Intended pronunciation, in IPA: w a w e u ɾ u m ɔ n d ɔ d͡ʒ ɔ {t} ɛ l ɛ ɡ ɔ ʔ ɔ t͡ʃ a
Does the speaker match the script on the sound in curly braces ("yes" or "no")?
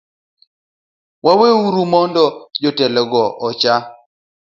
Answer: yes